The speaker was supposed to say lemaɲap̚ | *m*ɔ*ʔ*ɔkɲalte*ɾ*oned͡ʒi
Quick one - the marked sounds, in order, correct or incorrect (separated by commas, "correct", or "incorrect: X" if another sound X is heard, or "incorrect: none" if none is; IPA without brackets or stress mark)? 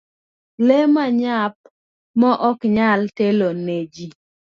correct, correct, incorrect: l